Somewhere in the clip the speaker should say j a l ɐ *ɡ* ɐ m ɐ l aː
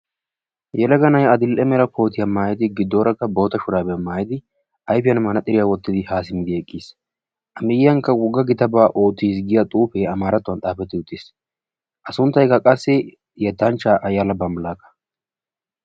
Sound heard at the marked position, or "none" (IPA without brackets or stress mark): b